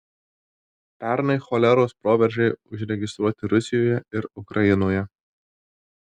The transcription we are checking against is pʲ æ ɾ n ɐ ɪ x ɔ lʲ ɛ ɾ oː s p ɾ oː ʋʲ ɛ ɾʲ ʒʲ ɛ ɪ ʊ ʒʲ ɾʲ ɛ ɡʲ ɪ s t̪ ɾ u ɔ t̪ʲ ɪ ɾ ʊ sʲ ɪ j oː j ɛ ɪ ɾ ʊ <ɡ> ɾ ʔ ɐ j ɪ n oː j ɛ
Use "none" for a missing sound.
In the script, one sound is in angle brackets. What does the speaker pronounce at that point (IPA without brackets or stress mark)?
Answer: k